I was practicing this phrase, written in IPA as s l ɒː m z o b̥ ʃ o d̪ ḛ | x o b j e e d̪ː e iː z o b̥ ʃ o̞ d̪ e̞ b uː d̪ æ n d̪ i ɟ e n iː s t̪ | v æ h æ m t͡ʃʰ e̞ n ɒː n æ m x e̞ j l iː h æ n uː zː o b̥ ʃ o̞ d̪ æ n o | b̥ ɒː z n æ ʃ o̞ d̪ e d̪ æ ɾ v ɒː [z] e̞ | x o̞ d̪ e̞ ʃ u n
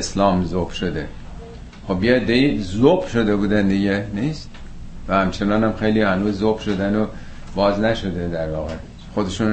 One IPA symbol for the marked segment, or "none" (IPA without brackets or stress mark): ɣ